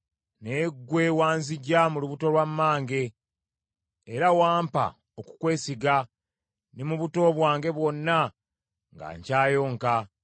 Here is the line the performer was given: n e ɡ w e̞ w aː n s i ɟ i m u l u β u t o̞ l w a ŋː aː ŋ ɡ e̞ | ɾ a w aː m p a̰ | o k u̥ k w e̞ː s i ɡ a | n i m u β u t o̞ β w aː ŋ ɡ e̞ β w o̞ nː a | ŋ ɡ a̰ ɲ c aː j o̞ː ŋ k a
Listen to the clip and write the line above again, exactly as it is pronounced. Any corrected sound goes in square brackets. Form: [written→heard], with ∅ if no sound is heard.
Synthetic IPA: n e ɡ w e̞ w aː n [s→z] i ɟ [i→a] m u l u β u t o̞ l w a [ŋː→mː] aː ŋ ɡ e̞ | ɾ a w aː m p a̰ | o k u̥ k w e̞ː s i ɡ a | n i m u β u t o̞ β w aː ŋ ɡ e̞ β w o̞ nː a | ŋ ɡ a̰ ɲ c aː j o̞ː ŋ k a